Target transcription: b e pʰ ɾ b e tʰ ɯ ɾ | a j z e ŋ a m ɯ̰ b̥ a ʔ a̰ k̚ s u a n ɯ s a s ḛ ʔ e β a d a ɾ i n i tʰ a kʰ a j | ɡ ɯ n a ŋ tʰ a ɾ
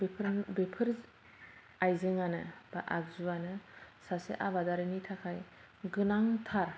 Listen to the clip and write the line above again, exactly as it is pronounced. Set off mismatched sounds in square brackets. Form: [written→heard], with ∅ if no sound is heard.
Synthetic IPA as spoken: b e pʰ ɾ b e [tʰ→pʰ] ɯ ɾ | a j z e ŋ a [m→n] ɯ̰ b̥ a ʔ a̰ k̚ [s→z] u a n ɯ s a s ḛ ʔ [e→a] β a d a ɾ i n i tʰ a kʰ a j | ɡ ɯ n a ŋ tʰ a ɾ